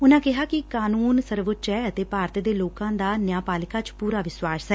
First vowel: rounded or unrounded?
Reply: rounded